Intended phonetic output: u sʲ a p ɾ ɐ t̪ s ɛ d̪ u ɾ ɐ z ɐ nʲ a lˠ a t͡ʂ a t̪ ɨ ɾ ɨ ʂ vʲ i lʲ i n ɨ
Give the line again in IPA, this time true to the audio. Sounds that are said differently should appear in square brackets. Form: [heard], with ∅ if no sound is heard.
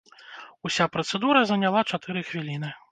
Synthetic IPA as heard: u sʲ a p ɾ ɐ t̪ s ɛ d̪ u ɾ ɐ z ɐ nʲ a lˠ a t͡ʂ a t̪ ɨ ɾ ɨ [x] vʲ i lʲ i n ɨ